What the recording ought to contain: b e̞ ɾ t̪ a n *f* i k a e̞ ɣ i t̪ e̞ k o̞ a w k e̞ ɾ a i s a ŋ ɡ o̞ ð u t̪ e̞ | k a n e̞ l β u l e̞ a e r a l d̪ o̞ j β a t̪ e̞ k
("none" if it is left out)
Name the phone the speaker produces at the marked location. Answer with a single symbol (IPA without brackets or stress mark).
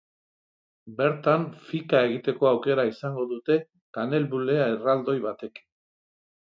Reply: f